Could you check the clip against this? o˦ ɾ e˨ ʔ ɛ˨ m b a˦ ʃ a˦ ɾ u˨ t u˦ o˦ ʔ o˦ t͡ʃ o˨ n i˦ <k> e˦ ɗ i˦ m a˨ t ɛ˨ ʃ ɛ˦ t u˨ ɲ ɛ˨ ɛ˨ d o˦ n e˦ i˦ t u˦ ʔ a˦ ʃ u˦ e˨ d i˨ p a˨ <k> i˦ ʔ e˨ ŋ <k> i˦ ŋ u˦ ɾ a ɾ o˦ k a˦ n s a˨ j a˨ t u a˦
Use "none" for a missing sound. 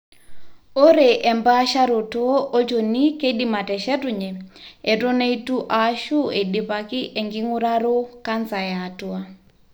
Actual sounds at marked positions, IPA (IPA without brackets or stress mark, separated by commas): k, k, ɡ